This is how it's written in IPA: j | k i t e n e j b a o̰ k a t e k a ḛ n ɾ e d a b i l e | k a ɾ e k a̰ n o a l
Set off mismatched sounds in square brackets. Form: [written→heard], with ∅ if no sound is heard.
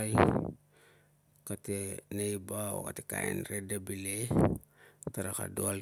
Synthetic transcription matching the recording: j | k [i→a] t e n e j b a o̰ k a t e k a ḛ n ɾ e d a b i l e | [k→t] a ɾ [e→a] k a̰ [n→d] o a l